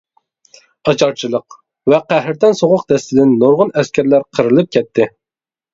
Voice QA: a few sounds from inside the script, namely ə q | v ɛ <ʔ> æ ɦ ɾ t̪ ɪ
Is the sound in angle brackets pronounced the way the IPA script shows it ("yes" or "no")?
no